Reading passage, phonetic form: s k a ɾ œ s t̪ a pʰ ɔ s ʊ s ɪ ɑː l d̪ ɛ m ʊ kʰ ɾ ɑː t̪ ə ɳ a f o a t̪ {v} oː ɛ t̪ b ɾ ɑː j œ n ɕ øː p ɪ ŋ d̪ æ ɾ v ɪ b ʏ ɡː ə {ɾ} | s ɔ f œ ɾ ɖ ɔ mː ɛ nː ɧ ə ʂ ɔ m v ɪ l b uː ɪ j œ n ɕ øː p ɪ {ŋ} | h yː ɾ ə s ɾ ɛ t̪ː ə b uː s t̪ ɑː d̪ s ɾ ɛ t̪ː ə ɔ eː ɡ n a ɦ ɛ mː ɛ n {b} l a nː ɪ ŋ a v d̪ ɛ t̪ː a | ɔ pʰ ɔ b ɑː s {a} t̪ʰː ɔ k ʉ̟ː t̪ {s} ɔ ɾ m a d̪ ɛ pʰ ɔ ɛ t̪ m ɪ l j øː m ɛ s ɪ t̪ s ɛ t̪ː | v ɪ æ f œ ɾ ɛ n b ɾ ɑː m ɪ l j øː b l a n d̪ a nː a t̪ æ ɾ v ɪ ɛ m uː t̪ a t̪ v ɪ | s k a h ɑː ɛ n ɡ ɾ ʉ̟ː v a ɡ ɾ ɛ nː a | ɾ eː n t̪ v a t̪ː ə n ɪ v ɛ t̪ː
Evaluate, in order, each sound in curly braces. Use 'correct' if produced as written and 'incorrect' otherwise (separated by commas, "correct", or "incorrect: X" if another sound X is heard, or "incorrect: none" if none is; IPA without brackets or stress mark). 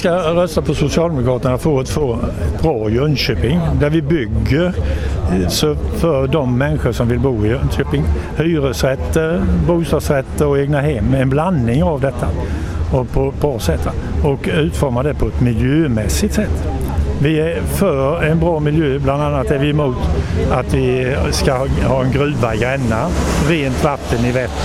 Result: incorrect: f, correct, correct, correct, incorrect: ɛ, incorrect: f